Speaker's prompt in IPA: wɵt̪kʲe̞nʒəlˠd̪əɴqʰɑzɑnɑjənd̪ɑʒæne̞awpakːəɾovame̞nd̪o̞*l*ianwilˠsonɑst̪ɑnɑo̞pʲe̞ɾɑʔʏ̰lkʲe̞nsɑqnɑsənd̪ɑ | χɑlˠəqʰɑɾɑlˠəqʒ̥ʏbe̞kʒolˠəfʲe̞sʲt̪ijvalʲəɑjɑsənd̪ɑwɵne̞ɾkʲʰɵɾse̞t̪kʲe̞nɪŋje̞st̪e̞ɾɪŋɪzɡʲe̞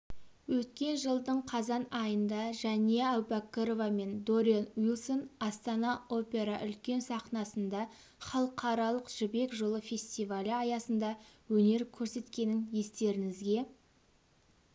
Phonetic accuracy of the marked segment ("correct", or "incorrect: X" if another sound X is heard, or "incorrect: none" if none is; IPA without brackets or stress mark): incorrect: ɾ